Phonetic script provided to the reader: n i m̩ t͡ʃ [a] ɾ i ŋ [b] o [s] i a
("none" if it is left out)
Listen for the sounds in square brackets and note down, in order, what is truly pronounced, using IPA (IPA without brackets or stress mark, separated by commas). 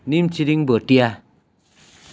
i, b, t